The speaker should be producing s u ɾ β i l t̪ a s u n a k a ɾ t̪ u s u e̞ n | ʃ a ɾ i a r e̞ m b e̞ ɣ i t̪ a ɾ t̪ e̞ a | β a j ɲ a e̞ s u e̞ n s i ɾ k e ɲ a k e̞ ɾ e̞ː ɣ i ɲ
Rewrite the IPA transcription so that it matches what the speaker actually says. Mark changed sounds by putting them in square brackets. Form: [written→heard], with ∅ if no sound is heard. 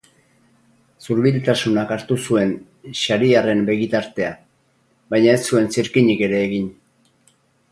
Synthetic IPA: s u ɾ β i l t̪ a s u n a k a ɾ t̪ u s u e̞ n | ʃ a ɾ i a r e̞ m b e̞ ɣ i t̪ a ɾ t̪ e̞ a | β a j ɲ a e̞ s u e̞ n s i ɾ k [e→i] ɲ [a→i] k e̞ ɾ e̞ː ɣ i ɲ

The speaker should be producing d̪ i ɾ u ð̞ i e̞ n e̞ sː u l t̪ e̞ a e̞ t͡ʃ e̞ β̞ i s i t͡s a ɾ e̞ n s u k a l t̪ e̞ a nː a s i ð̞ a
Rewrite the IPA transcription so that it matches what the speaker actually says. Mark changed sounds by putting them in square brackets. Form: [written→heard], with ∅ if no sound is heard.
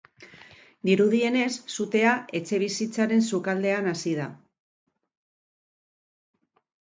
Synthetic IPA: d̪ i ɾ u ð̞ i e̞ n e̞ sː u [l→∅] t̪ e̞ a e̞ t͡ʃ e̞ β̞ i s i t͡s a ɾ e̞ n s u k a l [t̪→d̪] e̞ a [nː→n] a s i ð̞ a

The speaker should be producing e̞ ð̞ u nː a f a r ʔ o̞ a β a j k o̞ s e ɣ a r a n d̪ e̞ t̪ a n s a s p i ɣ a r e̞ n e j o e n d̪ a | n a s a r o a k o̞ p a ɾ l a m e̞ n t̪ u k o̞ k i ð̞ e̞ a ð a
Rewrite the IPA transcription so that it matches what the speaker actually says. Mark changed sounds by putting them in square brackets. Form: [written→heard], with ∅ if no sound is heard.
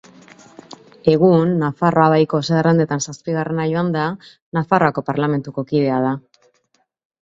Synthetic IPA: e̞ [ð̞→ɣ̞] u nː a f a r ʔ o̞ a β a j k o̞ s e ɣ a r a n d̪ e̞ t̪ a n s a s p i ɣ a r e̞ n [e→a] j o [e→a] n d̪ a | n a [s→f] a r o a k o̞ p a ɾ l a m e̞ n t̪ u k o̞ k i ð̞ e̞ a ð a

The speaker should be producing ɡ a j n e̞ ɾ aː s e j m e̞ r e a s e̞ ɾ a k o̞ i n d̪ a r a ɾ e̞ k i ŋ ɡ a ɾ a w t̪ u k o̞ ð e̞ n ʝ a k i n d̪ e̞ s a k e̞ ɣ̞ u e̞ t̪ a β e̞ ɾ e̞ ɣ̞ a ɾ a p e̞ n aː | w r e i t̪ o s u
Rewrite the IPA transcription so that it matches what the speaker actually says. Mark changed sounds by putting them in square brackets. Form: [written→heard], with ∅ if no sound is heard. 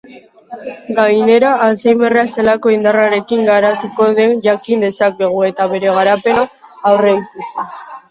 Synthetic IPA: ɡ a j n e̞ ɾ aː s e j m e̞ r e a s e̞ [ɾ→l] a k o̞ i n d̪ a r a ɾ e̞ k i ŋ ɡ a ɾ a [w→∅] t̪ u k o̞ ð e̞ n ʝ a k i n d̪ e̞ s a k e̞ ɣ̞ u e̞ t̪ a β e̞ ɾ e̞ ɣ̞ a ɾ a p e̞ n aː | w r e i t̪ [o→u] s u

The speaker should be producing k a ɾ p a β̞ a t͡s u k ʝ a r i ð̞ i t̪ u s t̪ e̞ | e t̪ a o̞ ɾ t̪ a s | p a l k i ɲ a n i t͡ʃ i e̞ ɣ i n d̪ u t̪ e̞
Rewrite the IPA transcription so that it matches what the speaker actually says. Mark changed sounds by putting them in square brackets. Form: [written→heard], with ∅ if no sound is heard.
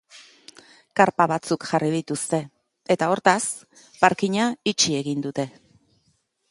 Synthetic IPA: k a ɾ p a β̞ a t͡s u k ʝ a r i ð̞ i t̪ u s t̪ e̞ | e t̪ a o̞ ɾ t̪ a s | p a [l→ɾ] k i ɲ a [n→∅] i t͡ʃ i e̞ ɣ i n d̪ u t̪ e̞

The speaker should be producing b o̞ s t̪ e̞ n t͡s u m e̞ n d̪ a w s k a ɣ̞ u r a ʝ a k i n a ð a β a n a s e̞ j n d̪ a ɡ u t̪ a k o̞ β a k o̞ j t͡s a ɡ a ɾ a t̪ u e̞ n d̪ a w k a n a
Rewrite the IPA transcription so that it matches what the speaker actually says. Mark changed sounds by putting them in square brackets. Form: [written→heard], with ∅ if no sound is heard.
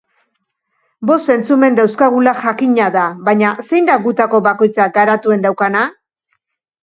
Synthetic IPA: b o̞ s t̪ e̞ n t͡s u m e̞ n d̪ a w s k a ɣ̞ u [r→l] a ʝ a k i [n→ɲ] a ð a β a [n→ɲ] a s e̞ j n d̪ a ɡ u t̪ a k o̞ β a k o̞ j t͡s a ɡ a ɾ a t̪ u e̞ n d̪ a w k a n a

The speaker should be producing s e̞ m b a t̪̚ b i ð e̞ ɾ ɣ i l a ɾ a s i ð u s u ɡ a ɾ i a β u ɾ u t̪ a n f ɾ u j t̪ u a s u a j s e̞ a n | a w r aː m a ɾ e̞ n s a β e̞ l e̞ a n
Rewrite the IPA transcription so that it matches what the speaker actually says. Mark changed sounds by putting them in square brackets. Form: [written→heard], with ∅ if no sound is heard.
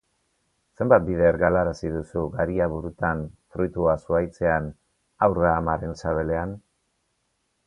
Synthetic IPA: s e̞ m b a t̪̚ b i ð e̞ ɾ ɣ [i→a] l a ɾ a s i ð u s u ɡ a ɾ i a β u ɾ u t̪ a n f ɾ u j t̪ u a s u a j [s→t͡s] e̞ a n | a w r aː m a ɾ e̞ n s a β e̞ l e̞ a n

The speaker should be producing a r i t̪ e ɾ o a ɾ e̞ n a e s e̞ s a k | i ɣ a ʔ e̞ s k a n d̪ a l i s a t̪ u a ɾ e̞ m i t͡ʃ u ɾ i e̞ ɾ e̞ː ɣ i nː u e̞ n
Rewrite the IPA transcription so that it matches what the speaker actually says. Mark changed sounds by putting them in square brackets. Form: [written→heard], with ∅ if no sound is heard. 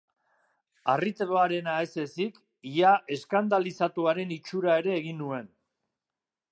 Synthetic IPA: a r i t̪ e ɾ o a ɾ e̞ n a e s e̞ s [a→i] k | i [ɣ→∅] a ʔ e̞ s k a n d̪ a l i s a t̪ u a ɾ e̞ [m→n] i t͡ʃ u ɾ [i→a] e̞ ɾ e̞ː ɣ i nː u e̞ n

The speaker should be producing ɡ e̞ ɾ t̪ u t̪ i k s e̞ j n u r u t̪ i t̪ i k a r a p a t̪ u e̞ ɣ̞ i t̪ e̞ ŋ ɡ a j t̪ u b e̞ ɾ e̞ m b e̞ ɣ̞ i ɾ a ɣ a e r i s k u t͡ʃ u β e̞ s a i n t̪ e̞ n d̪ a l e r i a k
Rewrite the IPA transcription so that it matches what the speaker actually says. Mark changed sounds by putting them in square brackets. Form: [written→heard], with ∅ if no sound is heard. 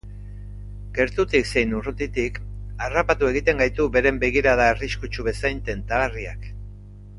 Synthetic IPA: ɡ e̞ ɾ t̪ u t̪ i k s e̞ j n u r u t̪ i t̪ i k a r a p a t̪ u e̞ ɣ̞ i t̪ e̞ ŋ ɡ a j t̪ u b e̞ ɾ e̞ m b e̞ ɣ̞ i ɾ a [ɣ→ð] a e r i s k u t͡ʃ u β e̞ s a [i→j] n t̪ e̞ n [d̪→t̪] a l [e→a] r i a k

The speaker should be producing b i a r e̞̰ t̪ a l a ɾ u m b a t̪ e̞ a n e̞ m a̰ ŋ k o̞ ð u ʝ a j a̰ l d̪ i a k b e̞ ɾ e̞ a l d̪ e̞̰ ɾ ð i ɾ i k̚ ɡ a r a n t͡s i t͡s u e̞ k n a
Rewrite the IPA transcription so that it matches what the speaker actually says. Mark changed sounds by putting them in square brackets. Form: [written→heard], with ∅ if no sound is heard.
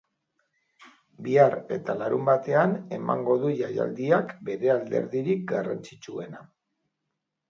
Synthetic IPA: b i a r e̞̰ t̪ a l a ɾ u m b a t̪ e̞ a n e̞ m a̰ ŋ [k→ɡ] o̞ ð u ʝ a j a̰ l d̪ i a k b e̞ ɾ e̞ a l d̪ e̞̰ ɾ ð i ɾ i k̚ ɡ a r a n t͡s i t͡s u e̞ [k→∅] n a

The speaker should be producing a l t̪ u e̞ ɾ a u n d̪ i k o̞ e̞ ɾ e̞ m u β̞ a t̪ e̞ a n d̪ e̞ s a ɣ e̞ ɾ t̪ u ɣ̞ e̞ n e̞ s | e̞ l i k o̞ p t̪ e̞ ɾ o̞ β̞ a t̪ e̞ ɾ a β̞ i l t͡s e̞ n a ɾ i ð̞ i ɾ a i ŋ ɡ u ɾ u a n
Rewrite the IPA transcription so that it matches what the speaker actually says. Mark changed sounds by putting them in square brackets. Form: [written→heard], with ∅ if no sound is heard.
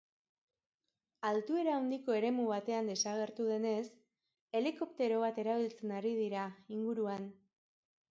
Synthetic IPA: a l t̪ u e̞ ɾ a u n d̪ i k o̞ e̞ ɾ e̞ m u β̞ a t̪ e̞ a n d̪ e̞ s a ɣ e̞ ɾ t̪ u [ɣ̞→ð̞] e̞ n e̞ s | e̞ l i k o̞ p t̪ e̞ ɾ o̞ β̞ a t̪ e̞ ɾ a β̞ i l t͡s e̞ n a ɾ i ð̞ i ɾ a i ŋ ɡ u ɾ u a n

